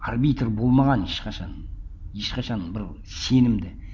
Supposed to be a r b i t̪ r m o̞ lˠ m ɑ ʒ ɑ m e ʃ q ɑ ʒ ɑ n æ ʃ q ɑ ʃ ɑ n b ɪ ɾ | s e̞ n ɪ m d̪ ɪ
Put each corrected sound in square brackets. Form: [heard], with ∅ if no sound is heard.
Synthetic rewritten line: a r b i t̪ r [b] o̞ lˠ m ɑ [ʁ] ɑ [n] e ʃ q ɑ [ʃ] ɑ n [e] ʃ q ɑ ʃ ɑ n b ɪ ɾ | s e̞ n ɪ m d̪ ɪ

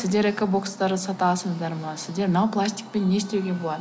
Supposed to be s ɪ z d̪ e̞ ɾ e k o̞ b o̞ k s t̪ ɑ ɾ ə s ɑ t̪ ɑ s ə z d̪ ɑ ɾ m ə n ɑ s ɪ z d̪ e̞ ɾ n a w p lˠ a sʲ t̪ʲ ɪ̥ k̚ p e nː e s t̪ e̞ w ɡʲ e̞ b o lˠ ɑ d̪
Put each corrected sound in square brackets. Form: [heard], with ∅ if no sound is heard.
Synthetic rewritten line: s ɪ z d̪ e̞ ɾ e k o̞ b o̞ k s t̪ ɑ ɾ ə s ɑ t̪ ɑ s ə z d̪ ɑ ɾ m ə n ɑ s ɪ z d̪ e̞ ɾ n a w p lˠ a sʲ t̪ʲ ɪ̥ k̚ p e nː e s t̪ e̞ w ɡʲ e̞ b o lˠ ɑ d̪

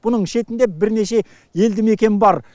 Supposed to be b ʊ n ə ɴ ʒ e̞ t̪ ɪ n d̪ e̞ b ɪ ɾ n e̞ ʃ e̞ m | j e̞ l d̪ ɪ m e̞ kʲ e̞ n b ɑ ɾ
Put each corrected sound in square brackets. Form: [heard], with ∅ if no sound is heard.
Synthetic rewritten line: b ʊ n ə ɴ [ʃ] e̞ t̪ ɪ n d̪ e̞ b ɪ ɾ n e̞ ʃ e̞ [∅] | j e̞ l d̪ ɪ m e̞ kʲ e̞ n b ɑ ɾ

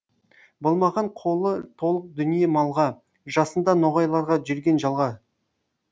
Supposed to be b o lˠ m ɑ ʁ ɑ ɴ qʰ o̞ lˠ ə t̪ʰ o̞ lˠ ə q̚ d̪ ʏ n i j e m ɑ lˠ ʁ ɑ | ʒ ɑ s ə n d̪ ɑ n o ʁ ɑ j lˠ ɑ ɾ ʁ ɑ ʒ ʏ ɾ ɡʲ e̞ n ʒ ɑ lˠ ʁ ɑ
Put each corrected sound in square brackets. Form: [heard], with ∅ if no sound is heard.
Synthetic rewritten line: b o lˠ m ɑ ʁ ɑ ɴ qʰ o̞ lˠ ə t̪ʰ o̞ lˠ ə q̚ d̪ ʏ n i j e m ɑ lˠ ʁ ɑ | ʒ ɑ s ə n d̪ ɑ n o ʁ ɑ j lˠ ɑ ɾ ʁ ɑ ʒ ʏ ɾ ɡʲ e̞ n ʒ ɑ lˠ ʁ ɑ

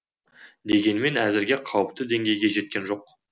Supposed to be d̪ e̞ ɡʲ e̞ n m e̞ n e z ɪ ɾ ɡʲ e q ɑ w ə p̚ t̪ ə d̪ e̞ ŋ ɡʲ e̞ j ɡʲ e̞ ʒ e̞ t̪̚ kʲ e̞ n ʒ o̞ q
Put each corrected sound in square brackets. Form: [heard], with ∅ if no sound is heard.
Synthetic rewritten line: d̪ e̞ ɡʲ e̞ n m e̞ n [æ] z ɪ ɾ ɡʲ e [qʰ] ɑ w ə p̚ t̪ ə d̪ e̞ ŋ ɡʲ e̞ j ɡʲ e̞ ʒ e̞ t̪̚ kʲ e̞ n ʒ o̞ q

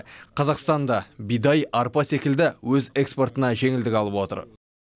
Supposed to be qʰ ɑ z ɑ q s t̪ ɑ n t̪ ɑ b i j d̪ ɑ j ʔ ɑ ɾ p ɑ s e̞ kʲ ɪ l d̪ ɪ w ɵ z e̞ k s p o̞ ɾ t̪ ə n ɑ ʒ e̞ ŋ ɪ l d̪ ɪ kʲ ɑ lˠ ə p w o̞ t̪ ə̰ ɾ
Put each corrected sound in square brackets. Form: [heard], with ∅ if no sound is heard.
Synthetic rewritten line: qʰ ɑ z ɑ q s t̪ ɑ n [d̪] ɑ b i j d̪ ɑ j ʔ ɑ ɾ p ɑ s e̞ kʲ ɪ l d̪ ɪ w ɵ z e̞ k s p o̞ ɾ t̪ ə n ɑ ʒ e̞ ŋ ɪ l d̪ ɪ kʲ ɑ lˠ ə p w o̞ t̪ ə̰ ɾ

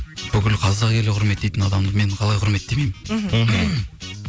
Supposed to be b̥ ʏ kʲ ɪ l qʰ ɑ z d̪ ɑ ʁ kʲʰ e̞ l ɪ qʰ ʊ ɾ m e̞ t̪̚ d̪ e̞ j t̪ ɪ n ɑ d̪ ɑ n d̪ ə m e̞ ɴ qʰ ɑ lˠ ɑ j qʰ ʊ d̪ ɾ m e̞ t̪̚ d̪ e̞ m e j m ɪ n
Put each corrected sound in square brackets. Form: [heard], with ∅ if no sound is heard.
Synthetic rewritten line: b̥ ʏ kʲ ɪ l qʰ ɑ z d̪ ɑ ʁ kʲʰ e̞ l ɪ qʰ ʊ ɾ m e̞ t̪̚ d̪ e̞ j t̪ ɪ n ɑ d̪ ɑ [m] d̪ ə m e̞ ɴ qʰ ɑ lˠ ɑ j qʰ ʊ [∅] ɾ m e̞ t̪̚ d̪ e̞ m e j m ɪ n

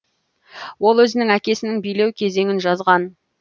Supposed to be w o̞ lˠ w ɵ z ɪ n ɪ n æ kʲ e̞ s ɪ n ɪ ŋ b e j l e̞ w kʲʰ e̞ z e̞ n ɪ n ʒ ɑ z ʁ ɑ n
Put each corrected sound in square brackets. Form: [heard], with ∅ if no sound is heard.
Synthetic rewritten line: w o̞ lˠ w ɵ z ɪ n ɪ [ŋ] æ kʲ e̞ s ɪ n ɪ ŋ b [i] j l e̞ w kʲʰ e̞ z e̞ [ŋ] ɪ n ʒ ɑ z ʁ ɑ n

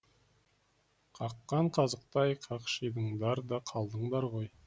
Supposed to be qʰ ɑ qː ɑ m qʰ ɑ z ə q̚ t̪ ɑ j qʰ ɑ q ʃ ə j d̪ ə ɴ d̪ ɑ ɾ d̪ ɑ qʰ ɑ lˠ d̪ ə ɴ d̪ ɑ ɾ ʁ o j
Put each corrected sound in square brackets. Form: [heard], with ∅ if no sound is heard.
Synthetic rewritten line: qʰ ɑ qː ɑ [ɴ] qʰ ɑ z ə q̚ t̪ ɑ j qʰ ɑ q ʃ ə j d̪ ə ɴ d̪ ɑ ɾ d̪ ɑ qʰ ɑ lˠ d̪ ə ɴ d̪ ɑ ɾ ʁ o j

